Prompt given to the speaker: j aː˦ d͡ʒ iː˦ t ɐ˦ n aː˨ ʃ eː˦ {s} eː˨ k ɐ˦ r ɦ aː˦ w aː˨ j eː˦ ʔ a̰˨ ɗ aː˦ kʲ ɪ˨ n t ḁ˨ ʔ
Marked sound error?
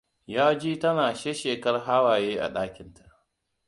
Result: yes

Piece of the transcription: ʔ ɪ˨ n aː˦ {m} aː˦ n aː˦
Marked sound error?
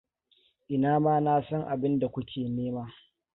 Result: no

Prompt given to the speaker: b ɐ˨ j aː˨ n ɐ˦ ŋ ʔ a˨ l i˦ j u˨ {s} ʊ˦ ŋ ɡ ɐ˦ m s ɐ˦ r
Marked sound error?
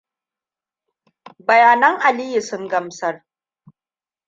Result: no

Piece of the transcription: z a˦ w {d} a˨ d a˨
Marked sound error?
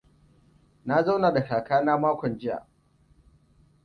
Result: yes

